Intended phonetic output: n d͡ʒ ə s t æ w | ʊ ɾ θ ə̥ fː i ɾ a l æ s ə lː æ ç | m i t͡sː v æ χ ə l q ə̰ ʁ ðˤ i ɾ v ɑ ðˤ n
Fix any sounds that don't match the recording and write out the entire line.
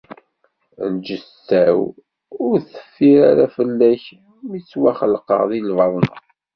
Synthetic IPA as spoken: n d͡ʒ ə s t æ w | ʊ ɾ θ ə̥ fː i ɾ a ɾ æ f ə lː æ ç | m i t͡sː w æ χ ə l q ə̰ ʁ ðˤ i l v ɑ ðˤ n